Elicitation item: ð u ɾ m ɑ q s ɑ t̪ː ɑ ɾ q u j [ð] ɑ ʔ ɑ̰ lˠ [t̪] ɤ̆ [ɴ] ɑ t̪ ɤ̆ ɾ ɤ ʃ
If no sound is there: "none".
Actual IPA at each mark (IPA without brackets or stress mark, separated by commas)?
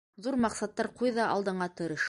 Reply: ð, d̪, ɴ